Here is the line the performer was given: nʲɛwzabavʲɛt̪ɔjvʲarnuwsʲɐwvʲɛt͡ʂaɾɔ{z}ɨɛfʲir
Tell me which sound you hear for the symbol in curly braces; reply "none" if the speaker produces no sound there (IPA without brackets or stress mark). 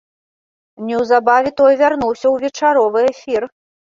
v